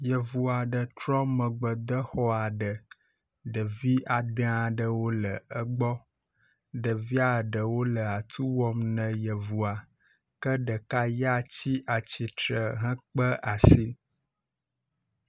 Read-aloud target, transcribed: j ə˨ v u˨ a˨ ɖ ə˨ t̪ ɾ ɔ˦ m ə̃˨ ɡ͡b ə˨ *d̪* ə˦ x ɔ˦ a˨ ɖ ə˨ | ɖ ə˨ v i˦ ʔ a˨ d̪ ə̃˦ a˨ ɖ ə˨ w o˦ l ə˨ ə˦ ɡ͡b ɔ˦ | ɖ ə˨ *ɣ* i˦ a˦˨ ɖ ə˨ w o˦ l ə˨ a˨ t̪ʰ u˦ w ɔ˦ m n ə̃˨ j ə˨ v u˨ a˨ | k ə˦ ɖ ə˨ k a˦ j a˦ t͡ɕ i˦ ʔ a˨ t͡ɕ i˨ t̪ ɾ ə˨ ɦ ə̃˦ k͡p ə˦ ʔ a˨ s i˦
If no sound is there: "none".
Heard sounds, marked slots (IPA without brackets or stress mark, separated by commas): d̪, v